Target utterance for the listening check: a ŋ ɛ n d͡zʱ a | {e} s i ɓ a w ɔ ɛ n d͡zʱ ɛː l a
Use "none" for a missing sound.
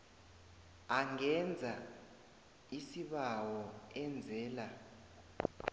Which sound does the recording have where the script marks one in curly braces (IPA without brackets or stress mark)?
i